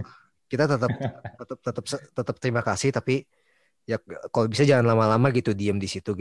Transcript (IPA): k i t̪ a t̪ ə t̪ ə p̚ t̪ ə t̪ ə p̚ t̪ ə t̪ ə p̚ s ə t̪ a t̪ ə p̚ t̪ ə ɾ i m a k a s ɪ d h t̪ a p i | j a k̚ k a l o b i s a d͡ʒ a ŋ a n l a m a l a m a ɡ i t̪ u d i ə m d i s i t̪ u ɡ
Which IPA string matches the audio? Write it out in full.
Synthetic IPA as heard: k i t̪ a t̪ ə t̪ ə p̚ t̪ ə t̪ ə p̚ t̪ ə t̪ ə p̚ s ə t̪ ə t̪ ə p̚ t̪ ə ɾ i m a k a s ɪ h t̪ a p i | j a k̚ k a l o b i s a d͡ʒ a ŋ a n l a m a l a m a ɡ i t̪ u d i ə m d i s i t̪ u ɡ